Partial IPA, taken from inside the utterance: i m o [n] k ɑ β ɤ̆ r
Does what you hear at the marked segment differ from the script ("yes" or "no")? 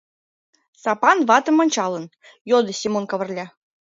no